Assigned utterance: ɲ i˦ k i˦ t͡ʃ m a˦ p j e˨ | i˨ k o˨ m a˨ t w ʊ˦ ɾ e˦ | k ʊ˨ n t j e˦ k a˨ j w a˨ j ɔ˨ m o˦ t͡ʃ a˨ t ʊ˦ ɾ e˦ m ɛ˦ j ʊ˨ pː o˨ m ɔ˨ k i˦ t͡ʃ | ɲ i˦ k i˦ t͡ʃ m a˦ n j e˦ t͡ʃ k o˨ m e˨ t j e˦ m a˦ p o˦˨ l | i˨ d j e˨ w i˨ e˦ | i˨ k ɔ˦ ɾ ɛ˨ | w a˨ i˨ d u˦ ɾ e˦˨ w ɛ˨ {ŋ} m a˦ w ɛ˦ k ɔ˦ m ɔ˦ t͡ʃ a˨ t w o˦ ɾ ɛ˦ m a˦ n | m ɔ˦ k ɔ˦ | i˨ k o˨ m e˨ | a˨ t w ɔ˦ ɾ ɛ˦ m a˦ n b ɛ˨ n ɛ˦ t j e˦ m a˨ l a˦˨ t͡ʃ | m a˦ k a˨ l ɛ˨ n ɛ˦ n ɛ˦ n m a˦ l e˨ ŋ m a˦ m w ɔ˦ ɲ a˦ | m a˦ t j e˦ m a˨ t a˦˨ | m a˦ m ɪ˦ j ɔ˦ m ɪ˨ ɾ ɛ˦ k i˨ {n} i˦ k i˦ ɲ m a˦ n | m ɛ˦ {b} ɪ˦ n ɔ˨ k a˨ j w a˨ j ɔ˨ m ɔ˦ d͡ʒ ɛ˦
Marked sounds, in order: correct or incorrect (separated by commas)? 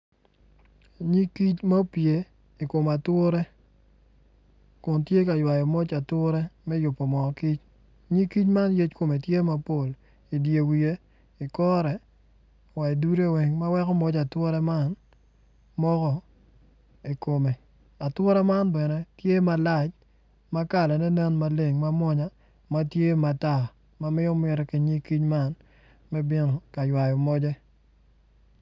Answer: correct, incorrect, correct